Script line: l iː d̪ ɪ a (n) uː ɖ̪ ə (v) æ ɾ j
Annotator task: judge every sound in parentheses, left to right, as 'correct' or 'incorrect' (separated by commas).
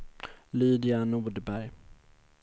correct, incorrect